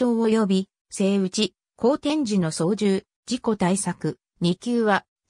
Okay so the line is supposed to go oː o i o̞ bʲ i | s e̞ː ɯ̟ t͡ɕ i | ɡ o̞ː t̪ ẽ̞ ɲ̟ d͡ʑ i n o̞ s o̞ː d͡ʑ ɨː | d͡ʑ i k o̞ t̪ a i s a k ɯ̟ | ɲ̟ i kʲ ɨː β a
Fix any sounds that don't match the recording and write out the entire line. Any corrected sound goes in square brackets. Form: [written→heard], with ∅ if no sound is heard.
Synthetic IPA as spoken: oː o [i→j] o̞ bʲ i | s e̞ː ɯ̟ t͡ɕ i | [ɡ→k] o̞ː t̪ ẽ̞ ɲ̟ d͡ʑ i n o̞ s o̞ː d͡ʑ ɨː | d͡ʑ i k o̞ t̪ a i s a k ɯ̟ | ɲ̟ i kʲ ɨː β a